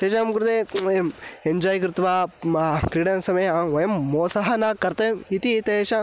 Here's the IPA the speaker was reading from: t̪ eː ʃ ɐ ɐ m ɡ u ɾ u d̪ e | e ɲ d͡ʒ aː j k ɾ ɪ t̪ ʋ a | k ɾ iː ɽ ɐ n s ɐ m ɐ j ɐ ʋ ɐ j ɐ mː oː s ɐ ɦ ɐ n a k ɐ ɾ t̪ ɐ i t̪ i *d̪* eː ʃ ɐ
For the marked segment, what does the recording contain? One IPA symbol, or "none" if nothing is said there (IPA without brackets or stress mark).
t̪